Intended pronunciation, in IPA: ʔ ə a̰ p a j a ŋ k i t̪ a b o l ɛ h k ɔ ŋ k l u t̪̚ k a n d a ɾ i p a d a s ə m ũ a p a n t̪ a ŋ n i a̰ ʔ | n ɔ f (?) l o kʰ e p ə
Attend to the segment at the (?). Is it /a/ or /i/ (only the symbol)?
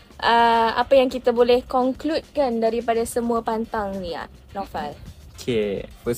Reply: a